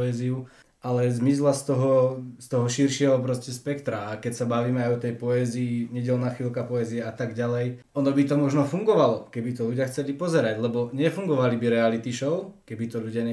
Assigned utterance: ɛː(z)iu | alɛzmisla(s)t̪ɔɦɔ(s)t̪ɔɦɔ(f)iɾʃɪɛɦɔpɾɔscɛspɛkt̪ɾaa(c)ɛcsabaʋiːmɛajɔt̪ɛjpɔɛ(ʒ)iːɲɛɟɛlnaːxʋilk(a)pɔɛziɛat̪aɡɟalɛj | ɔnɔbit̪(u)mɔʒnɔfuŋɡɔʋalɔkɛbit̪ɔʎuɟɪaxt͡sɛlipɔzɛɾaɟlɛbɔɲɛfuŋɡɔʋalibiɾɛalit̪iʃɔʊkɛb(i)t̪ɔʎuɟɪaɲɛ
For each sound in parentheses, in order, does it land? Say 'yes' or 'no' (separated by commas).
yes, yes, yes, no, no, no, yes, no, yes